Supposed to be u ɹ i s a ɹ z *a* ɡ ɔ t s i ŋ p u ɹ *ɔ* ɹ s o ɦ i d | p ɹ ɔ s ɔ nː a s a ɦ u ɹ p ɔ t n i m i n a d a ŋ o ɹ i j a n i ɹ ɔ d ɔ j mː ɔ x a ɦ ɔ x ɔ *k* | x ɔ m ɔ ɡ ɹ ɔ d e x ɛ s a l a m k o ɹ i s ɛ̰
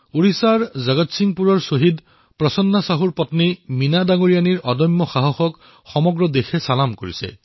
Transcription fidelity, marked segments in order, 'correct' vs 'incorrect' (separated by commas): correct, correct, correct